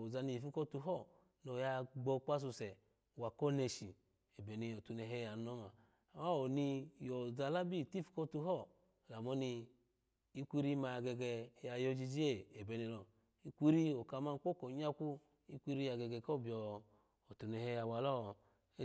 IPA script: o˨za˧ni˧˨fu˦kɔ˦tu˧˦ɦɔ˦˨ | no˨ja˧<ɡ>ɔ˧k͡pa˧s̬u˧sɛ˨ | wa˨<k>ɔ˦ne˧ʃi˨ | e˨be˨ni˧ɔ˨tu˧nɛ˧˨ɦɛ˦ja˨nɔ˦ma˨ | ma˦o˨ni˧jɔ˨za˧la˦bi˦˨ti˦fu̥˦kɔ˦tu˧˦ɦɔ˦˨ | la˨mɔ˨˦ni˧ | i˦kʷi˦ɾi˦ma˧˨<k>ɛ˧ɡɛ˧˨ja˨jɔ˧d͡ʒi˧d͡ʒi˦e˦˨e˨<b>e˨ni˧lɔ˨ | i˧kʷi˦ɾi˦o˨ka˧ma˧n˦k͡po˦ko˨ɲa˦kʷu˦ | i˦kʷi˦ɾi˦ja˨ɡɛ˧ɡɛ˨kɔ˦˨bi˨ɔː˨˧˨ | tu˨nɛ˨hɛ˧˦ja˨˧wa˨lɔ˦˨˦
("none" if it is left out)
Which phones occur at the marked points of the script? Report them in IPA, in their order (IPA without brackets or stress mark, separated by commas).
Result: ɡ͡b, k, ɡ, b